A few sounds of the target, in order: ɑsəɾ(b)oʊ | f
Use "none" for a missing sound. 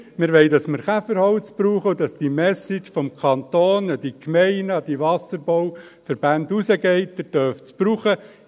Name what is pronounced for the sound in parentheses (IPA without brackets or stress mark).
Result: b